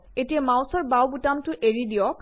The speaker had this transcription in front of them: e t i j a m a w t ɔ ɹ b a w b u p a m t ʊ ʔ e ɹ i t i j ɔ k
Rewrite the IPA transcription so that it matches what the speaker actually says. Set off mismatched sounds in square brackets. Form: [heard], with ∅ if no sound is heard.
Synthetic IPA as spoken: e t i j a m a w [s] ɔ ɹ b a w b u [t] a m t ʊ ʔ e ɹ i [d] i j ɔ k